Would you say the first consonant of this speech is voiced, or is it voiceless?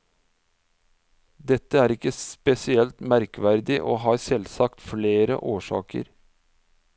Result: voiced